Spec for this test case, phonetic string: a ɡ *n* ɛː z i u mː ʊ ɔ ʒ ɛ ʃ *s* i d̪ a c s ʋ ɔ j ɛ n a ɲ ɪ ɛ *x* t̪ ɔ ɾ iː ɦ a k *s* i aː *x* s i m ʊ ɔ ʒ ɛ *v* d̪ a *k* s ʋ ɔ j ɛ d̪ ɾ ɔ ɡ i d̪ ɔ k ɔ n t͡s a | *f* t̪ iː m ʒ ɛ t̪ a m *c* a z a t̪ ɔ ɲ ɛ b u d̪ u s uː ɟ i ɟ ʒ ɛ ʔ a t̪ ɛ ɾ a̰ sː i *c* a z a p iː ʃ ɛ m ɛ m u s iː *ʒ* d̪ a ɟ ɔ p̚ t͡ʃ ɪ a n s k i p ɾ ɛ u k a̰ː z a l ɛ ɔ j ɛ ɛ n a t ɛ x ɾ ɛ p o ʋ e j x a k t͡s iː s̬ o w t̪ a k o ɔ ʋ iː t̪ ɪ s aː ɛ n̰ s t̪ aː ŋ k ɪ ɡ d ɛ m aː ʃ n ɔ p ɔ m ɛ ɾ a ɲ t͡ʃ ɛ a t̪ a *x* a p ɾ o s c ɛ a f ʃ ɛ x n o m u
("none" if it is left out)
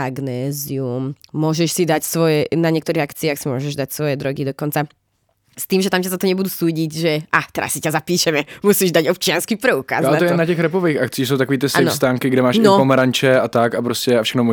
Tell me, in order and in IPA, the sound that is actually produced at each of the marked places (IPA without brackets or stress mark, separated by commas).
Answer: n, s, k, t͡s, x, ʒ, c, s, c, c, ʒ, k